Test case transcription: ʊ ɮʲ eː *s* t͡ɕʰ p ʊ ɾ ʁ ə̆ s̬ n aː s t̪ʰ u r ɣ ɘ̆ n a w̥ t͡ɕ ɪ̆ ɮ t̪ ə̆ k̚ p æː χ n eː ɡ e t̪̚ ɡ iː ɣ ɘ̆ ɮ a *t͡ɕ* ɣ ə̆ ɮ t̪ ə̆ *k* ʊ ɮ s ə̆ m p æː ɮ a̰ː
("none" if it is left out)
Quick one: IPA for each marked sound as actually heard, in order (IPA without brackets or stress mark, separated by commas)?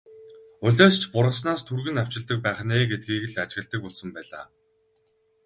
s, t͡ɕ, k